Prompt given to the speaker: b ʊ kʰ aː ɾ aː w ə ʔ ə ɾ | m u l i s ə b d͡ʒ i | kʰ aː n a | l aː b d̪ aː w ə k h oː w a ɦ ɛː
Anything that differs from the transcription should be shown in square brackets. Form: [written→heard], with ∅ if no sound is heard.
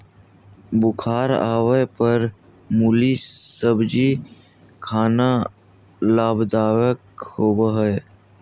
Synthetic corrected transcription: b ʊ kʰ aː ɾ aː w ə [ʔ→p] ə ɾ | m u l i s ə b d͡ʒ i | kʰ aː n a | l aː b d̪ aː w ə k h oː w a ɦ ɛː

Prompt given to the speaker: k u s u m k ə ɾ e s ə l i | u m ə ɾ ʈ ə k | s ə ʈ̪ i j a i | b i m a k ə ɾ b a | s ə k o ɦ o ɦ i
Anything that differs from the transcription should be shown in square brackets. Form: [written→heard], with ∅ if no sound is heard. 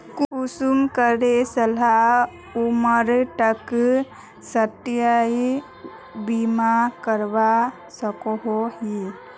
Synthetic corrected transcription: k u s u m k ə ɾ e s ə l [i→a] | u m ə ɾ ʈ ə k | s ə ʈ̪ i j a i | b i m a k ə ɾ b a | s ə k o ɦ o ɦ i

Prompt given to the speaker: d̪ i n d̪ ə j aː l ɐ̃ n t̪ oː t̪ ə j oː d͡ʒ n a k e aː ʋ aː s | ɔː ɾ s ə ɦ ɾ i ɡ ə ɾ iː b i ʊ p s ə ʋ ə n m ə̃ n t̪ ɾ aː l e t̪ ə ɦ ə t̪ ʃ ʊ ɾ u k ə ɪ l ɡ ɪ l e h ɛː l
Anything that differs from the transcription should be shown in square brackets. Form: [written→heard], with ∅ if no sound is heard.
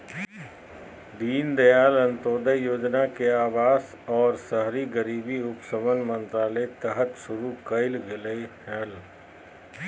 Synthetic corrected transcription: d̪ [i→iː] n d̪ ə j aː l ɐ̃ n t̪ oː [t̪→d̪] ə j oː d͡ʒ n a k e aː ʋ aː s | ɔː ɾ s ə ɦ ɾ i ɡ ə ɾ iː b i ʊ p s ə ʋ ə n m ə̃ n t̪ ɾ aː l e t̪ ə ɦ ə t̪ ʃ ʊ ɾ u k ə ɪ l ɡ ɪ l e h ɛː l

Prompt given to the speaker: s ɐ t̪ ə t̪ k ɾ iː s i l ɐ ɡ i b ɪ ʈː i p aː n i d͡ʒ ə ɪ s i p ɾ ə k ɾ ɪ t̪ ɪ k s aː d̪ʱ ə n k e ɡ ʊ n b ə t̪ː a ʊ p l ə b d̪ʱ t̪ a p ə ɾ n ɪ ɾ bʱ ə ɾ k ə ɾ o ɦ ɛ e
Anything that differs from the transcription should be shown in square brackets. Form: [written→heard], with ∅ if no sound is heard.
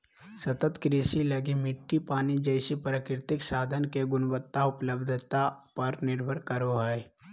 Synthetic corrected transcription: s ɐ t̪ ə t̪ k ɾ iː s i l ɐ ɡ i [b→m] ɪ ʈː i p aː n i d͡ʒ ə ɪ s i p ɾ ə k ɾ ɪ t̪ ɪ k s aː d̪ʱ ə n k e ɡ ʊ n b ə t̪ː a ʊ p l ə b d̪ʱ t̪ a p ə ɾ n ɪ ɾ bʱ ə ɾ k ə ɾ o ɦ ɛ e

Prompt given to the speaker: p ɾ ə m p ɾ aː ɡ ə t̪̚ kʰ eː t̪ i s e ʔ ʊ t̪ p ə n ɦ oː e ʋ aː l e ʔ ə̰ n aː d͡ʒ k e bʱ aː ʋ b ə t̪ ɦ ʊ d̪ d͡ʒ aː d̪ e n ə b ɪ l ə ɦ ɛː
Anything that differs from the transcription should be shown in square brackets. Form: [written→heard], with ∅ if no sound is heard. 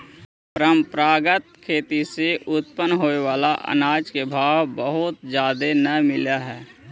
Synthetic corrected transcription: p ɾ ə m p ɾ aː ɡ ə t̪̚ kʰ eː t̪ i s e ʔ ʊ t̪ p ə n ɦ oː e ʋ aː l [e→a] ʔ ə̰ n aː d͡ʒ k e bʱ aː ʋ b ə [t̪→∅] ɦ ʊ [d̪→t̪] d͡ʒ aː d̪ e n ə [b→m] ɪ l [ə→a] ɦ ɛː

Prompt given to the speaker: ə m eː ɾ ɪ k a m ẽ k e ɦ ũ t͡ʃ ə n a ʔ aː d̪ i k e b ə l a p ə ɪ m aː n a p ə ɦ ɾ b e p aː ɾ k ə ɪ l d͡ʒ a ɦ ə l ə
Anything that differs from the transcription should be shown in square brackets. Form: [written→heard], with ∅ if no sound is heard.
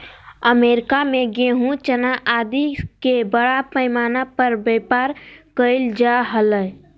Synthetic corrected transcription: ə m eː ɾ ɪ k a m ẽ [k→ɡ] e ɦ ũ t͡ʃ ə n a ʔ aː d̪ i k e b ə [l→ɽ] a p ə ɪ m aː n a p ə [ɦ→∅] ɾ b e p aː ɾ k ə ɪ l d͡ʒ a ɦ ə l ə

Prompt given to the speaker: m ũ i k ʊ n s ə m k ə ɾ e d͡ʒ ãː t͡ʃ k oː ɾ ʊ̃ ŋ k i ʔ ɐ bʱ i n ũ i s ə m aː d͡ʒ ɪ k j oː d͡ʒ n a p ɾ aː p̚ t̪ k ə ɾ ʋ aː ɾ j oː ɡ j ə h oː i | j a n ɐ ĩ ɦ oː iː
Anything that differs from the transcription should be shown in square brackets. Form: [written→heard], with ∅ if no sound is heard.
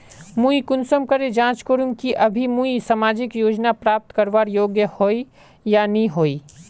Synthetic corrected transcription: m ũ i k ʊ n s ə m k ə ɾ e d͡ʒ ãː t͡ʃ k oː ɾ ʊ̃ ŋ k i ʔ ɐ bʱ i [n→m] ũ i s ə m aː d͡ʒ ɪ k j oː d͡ʒ n a p ɾ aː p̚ t̪ k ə ɾ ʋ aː ɾ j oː ɡ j ə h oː i | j a n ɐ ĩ ɦ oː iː

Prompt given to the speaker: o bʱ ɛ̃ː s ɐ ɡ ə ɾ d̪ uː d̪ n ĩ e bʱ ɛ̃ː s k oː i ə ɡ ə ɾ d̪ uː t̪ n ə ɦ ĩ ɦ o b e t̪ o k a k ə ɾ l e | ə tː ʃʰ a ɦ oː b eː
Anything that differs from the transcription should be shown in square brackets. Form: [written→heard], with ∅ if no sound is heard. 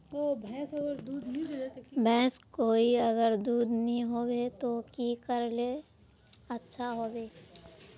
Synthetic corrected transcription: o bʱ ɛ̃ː s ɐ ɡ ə ɾ d̪ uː d̪ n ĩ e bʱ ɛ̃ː s k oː i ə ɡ ə ɾ d̪ uː [t̪→d̪] n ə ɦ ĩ ɦ o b e t̪ o k [a→i] k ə ɾ l e | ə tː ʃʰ a ɦ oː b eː

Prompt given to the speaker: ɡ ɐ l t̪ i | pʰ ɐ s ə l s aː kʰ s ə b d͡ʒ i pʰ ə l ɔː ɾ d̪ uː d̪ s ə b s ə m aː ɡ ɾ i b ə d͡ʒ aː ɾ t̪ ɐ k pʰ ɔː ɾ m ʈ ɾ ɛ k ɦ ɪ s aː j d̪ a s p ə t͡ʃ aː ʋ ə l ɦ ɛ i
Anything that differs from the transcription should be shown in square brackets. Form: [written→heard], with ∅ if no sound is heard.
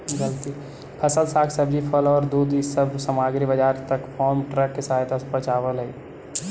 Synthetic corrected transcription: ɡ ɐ l t̪ i | pʰ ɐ s ə l s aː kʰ s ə b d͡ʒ i pʰ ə l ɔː ɾ d̪ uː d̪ s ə b s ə m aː ɡ ɾ i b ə d͡ʒ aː ɾ t̪ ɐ k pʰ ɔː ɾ m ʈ ɾ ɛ k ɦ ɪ s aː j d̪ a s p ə t͡ʃ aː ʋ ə l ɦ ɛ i

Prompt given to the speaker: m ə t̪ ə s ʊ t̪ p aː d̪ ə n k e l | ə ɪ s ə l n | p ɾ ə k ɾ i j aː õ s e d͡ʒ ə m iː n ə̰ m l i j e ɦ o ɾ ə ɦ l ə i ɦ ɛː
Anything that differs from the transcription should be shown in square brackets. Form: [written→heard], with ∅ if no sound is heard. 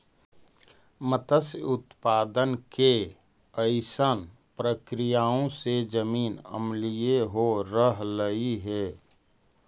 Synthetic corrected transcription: m ə t̪ ə s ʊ t̪ p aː d̪ ə n k e [l→∅] | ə ɪ s ə [l→∅] n | p ɾ ə k ɾ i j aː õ s e d͡ʒ ə m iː n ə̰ m l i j e ɦ o ɾ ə ɦ l ə i ɦ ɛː

